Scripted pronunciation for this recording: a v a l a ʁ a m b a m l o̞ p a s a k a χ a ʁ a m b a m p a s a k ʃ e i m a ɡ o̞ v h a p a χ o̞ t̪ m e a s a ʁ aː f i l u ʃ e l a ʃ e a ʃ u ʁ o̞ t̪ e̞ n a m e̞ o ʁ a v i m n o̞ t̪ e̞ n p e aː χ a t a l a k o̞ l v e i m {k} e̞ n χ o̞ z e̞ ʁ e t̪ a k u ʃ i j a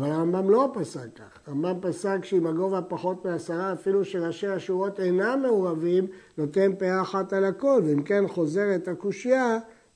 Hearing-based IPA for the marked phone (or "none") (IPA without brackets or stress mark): k